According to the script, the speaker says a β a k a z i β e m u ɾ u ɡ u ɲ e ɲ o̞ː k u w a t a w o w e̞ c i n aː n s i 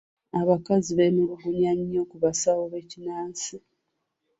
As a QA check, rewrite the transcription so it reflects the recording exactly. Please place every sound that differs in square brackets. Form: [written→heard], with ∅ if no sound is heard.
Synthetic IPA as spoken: a β a k a z i β e m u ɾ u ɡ u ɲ [e→a] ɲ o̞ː k u [w→β] a [t→s] a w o [w→β] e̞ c i n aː n s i